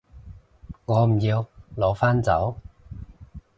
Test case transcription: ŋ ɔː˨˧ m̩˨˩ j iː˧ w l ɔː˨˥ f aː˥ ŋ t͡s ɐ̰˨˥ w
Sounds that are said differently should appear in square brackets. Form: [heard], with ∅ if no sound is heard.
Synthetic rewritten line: ŋ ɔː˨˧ m̩˨˩ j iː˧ w l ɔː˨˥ f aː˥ [n] t͡s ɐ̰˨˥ w

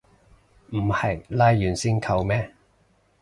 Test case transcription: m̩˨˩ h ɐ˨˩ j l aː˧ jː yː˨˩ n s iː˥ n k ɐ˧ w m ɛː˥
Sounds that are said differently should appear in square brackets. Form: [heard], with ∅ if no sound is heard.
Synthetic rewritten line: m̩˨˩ h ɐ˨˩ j l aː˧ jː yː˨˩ n s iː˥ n [kʰ] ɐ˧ w m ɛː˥

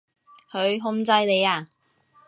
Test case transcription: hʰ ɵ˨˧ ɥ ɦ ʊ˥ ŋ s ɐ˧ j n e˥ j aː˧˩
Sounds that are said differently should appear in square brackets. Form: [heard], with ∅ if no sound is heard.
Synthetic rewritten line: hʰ ɵ˨˧ ɥ ɦ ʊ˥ ŋ [t͡s] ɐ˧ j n [e˨˧] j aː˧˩

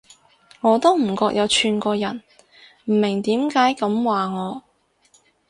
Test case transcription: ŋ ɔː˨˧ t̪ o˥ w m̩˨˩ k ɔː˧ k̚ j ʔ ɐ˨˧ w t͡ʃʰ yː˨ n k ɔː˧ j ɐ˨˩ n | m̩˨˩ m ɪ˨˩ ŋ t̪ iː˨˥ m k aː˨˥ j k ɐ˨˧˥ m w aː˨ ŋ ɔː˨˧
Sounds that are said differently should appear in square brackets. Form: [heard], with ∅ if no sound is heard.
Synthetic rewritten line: ŋ ɔː˨˧ t̪ o˥ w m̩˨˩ k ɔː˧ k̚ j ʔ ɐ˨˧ w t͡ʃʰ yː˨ n k ɔː˧ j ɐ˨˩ n | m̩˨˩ m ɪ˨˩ ŋ t̪ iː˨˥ m k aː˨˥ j k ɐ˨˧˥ m w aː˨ ŋ ɔː˨˧

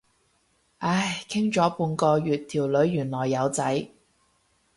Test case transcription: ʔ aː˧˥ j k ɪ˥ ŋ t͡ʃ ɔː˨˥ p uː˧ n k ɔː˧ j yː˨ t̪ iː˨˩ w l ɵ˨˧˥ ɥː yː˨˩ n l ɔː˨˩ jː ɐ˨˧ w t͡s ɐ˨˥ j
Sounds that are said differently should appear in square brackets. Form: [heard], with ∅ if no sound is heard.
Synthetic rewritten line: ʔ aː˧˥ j [kʰ] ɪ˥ ŋ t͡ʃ ɔː˨˥ p uː˧ n k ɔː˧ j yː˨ [t̪ʰ] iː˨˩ w l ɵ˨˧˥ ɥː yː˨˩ n l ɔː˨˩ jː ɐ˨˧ w t͡s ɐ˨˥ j

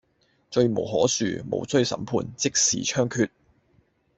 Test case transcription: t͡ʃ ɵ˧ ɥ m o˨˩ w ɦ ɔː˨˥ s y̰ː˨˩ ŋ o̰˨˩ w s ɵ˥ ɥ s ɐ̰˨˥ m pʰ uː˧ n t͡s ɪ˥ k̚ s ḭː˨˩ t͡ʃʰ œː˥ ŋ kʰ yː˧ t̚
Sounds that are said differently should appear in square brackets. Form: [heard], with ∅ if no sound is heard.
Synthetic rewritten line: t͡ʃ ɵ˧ ɥ m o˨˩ w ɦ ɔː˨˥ s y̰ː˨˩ [m] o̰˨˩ w s ɵ˥ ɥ s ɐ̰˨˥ m pʰ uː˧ n t͡s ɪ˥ k̚ s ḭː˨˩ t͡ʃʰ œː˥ ŋ kʰ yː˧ t̚

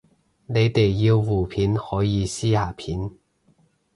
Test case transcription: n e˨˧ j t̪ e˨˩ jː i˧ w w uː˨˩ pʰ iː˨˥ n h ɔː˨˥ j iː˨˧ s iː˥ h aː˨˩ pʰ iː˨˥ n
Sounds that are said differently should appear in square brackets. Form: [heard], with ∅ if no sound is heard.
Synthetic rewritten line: n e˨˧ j t̪ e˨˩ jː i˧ w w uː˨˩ pʰ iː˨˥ n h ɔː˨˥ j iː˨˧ s iː˥ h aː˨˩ pʰ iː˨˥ n

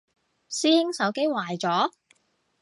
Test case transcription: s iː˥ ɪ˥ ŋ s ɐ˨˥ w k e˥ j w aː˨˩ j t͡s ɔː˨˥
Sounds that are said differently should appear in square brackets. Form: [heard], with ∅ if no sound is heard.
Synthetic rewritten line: s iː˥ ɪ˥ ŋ s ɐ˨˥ w k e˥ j w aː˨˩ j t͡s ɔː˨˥

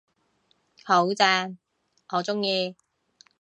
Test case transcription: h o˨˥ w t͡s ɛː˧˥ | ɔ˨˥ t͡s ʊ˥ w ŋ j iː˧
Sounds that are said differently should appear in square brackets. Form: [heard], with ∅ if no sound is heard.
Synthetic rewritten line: h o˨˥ w t͡s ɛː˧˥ | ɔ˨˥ t͡s ʊ˥ [∅] ŋ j iː˧

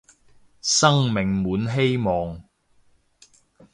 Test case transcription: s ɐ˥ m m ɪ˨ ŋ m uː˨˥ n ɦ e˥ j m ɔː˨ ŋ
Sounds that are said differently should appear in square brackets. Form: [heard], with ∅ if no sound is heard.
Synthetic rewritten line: s ɐ˥ [ŋ] m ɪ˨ ŋ m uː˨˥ n ɦ e˥ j m ɔː˨ ŋ

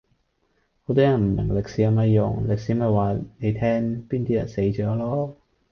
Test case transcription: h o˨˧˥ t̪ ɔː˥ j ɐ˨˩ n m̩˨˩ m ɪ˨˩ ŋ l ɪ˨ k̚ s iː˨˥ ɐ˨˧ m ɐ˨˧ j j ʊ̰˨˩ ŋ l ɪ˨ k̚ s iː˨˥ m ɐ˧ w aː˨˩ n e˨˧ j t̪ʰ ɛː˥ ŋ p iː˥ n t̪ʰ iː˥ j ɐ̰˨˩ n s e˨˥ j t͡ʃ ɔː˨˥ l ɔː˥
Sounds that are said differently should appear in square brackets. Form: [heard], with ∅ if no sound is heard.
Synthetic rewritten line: h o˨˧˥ t̪ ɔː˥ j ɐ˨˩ n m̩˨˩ m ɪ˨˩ ŋ l ɪ˨ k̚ s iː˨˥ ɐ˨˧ m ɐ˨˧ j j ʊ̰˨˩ ŋ l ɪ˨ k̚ s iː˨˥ m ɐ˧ w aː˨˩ n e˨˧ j t̪ʰ ɛː˥ ŋ p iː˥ n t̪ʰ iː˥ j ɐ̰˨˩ n s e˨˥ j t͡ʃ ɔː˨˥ l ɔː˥

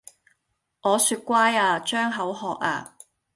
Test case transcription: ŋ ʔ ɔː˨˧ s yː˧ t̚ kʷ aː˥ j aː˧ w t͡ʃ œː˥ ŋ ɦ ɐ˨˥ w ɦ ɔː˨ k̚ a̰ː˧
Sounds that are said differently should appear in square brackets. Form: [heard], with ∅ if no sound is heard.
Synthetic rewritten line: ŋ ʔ ɔː˨˧ s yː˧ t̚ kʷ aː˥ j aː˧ [∅] t͡ʃ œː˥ ŋ ɦ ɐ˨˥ w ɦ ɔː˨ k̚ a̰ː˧

